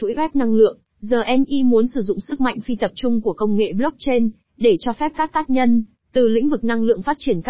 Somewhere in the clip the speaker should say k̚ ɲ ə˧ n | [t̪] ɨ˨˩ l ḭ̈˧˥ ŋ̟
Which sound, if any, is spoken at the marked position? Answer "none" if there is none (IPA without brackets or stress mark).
t̪